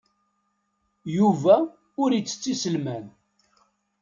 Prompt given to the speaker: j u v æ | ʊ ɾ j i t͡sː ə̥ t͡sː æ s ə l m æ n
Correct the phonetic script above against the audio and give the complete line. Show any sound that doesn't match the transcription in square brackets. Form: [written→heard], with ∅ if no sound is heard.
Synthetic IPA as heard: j u v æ | ʊ ɾ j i t͡sː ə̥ t͡sː [æ→i] s ə l m æ n